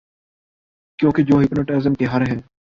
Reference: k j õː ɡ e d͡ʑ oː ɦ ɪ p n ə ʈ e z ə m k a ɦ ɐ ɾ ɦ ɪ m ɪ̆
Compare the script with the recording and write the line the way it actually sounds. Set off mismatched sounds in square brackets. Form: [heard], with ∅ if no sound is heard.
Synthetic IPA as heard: k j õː [k] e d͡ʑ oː ɦ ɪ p n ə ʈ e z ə m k [e] ɦ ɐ ɾ ɦ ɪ [n] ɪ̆